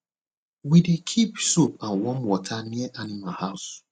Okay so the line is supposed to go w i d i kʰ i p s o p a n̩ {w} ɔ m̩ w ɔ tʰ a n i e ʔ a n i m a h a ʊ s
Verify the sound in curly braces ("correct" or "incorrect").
correct